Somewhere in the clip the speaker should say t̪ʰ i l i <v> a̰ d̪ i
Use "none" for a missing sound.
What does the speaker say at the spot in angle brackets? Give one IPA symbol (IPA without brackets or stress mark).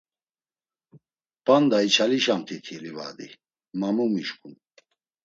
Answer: v